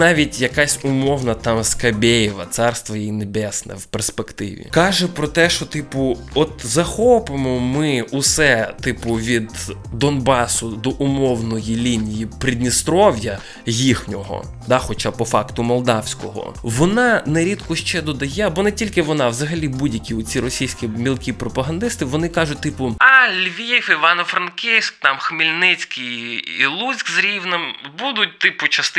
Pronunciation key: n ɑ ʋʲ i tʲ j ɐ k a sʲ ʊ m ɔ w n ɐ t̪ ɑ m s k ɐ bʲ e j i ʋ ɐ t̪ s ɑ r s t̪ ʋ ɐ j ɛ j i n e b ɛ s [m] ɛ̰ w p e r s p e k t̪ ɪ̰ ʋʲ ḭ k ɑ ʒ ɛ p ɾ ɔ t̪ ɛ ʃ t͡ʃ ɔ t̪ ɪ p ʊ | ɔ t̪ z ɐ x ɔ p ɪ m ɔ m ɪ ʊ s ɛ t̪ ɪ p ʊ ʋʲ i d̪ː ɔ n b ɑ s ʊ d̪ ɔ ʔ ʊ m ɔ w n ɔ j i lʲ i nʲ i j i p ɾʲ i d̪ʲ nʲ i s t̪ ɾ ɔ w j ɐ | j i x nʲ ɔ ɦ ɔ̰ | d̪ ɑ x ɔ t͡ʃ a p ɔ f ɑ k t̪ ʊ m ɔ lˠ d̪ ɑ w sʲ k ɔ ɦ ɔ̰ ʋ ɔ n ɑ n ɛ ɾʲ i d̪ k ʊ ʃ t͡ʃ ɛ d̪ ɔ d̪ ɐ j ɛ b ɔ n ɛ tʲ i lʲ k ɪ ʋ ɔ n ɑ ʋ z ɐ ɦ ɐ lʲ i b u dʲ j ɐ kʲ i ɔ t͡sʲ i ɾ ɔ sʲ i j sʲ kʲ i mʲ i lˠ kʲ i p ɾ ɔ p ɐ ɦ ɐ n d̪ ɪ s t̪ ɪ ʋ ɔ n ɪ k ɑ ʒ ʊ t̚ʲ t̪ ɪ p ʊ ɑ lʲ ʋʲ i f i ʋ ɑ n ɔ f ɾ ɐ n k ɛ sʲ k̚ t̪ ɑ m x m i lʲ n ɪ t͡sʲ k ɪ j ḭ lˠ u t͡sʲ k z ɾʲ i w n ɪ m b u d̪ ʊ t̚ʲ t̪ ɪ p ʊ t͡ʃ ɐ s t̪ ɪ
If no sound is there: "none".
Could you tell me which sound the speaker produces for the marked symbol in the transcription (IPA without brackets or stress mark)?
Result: n